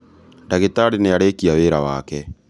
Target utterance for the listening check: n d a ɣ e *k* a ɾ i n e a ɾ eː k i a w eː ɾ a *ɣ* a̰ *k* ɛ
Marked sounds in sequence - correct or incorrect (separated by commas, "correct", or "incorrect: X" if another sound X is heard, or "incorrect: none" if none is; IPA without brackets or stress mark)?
incorrect: t, incorrect: w, correct